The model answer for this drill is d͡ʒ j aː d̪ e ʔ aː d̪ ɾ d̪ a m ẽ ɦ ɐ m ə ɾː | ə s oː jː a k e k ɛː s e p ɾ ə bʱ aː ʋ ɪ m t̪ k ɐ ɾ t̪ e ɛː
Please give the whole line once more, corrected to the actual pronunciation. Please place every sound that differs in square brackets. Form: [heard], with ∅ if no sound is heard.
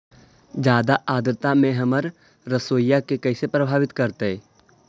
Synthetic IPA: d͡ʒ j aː d̪ [a] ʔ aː d̪ ɾ [t̪] a m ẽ ɦ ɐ m ə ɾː | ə s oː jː a k e k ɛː s e p ɾ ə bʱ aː ʋ ɪ [∅] t̪ k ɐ ɾ t̪ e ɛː

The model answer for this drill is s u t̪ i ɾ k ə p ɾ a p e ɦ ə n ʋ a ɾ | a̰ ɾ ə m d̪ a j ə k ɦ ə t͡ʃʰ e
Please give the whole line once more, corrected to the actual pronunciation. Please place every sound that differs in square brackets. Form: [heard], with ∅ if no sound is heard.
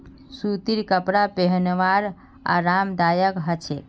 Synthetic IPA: s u t̪ i ɾ k ə p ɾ a p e ɦ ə n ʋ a ɾ | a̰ ɾ [a] m d̪ a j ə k ɦ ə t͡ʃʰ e

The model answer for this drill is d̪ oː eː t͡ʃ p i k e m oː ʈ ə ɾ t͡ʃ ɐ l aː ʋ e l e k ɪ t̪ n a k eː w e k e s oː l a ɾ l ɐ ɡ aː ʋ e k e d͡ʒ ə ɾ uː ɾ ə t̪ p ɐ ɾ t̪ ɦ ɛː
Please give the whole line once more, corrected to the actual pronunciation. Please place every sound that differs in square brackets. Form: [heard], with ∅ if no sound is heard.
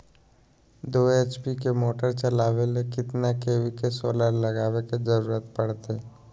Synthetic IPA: d̪ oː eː t͡ʃ p i k e m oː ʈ ə ɾ t͡ʃ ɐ l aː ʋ e l e k ɪ t̪ n a k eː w [i] k e s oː l a ɾ l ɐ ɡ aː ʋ e k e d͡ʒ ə ɾ uː ɾ ə t̪ p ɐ [ɽ] t̪ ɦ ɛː

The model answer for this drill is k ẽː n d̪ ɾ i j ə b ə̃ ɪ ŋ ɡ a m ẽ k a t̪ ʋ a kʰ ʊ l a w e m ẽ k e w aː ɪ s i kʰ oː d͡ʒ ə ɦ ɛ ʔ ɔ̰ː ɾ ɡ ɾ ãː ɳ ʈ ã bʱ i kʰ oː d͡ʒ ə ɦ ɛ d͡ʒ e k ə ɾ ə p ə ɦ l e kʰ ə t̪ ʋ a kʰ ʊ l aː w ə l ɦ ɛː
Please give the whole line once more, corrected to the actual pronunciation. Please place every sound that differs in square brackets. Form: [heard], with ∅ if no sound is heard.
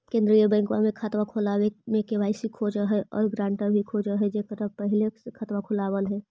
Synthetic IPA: k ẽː n d̪ ɾ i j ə b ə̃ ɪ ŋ [k] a m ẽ [kʰ] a t̪ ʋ a kʰ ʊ l a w e m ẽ k e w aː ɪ s i kʰ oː d͡ʒ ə ɦ ɛ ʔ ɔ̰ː ɾ ɡ ɾ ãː ɳ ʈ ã bʱ i kʰ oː d͡ʒ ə ɦ ɛ d͡ʒ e k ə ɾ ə p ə ɦ l e kʰ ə t̪ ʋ a kʰ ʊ l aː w ə l ɦ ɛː

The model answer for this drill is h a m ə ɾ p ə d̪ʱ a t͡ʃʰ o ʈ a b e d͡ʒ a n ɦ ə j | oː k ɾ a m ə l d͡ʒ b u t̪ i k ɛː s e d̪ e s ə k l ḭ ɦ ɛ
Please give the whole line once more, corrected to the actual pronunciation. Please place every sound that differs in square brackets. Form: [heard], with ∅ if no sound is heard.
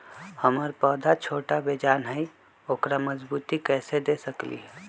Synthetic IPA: h [ə] m ə ɾ p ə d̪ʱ a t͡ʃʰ o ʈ a b e d͡ʒ a n ɦ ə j | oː k ɾ a m ə [∅] d͡ʒ b u t̪ i k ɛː s e d̪ e s ə k l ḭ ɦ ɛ

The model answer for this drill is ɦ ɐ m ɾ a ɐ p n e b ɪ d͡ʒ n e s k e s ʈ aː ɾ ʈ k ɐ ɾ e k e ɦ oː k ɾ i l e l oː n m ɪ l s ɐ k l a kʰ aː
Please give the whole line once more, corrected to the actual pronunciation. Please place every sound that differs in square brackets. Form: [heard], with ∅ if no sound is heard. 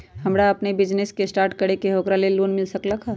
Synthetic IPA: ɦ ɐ m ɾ a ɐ p n e b ɪ d͡ʒ n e s k e s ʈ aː ɾ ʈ k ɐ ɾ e k e ɦ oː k ɾ [a] l e l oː n m ɪ l s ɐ k l a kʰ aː

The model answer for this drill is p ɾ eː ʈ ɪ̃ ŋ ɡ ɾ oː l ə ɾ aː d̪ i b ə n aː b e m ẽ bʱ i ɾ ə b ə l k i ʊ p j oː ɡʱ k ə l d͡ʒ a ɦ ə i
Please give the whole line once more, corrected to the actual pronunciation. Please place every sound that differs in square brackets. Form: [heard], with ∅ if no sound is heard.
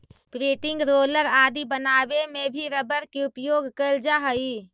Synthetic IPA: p ɾ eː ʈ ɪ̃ ŋ ɡ ɾ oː l ə ɾ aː d̪ i b ə n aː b e m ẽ bʱ i ɾ ə b ə [ɾ] k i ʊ p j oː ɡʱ k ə l d͡ʒ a ɦ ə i

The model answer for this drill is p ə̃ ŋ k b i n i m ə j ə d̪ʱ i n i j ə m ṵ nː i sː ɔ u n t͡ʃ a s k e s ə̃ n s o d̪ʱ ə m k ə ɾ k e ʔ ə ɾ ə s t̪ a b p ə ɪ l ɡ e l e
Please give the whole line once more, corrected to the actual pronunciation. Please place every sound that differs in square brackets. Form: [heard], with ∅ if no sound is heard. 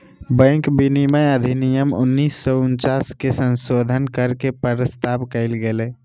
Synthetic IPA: [b] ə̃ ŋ k b i n i m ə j ə d̪ʱ i n i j ə m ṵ nː i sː ɔ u n t͡ʃ a s k e s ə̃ n s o d̪ʱ ə [n] k ə ɾ k e [p] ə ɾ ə s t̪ a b [k] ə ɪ l ɡ e l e

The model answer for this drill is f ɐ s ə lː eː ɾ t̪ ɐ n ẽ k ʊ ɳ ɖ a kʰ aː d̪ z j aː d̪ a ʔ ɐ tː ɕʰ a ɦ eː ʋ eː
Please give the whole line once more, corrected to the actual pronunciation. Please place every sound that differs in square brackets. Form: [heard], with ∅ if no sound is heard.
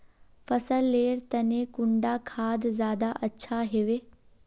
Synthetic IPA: f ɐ s ə lː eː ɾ t̪ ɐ n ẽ k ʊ ɳ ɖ a kʰ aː d̪ z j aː d̪ a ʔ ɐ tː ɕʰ a ɦ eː ʋ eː

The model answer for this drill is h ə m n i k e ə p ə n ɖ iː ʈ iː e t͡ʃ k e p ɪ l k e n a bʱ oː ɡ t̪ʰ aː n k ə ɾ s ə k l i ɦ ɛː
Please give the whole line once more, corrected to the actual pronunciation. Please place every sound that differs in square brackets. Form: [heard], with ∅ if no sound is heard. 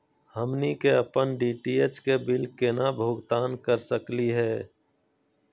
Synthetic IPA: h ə m n i k e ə p ə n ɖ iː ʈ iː e t͡ʃ k e [b] ɪ l k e n a bʱ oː ɡ [t̪] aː n k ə ɾ s ə k l i ɦ ɛː

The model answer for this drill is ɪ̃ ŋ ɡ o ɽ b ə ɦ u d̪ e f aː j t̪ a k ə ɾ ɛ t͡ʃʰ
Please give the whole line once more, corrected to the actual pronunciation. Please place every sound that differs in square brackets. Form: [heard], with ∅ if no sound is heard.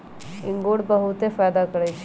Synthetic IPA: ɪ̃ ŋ ɡ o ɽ b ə ɦ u [t̪] e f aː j [d̪] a k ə ɾ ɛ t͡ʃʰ

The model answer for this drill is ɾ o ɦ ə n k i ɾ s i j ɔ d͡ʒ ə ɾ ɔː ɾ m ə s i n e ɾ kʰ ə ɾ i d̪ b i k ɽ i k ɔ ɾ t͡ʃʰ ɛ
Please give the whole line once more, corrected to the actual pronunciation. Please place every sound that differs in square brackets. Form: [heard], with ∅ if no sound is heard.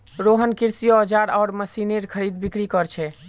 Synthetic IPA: ɾ o ɦ ə n k i ɾ s i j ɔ d͡ʒ [a] ɾ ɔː ɾ m ə s i n e ɾ kʰ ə ɾ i d̪ b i k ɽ i k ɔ ɾ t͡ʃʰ ɛ

